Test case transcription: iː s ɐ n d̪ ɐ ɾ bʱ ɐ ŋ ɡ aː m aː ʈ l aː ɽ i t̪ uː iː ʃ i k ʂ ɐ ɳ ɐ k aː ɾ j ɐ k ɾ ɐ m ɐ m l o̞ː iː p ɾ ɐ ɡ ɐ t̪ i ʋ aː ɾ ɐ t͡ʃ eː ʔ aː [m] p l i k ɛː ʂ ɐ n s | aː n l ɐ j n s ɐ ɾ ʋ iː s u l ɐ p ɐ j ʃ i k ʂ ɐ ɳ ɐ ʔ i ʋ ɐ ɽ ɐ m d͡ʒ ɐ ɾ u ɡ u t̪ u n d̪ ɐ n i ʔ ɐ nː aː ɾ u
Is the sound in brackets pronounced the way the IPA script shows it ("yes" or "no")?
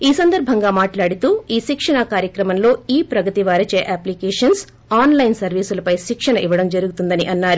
no